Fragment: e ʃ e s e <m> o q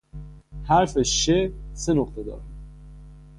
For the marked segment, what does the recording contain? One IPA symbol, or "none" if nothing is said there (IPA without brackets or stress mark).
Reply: n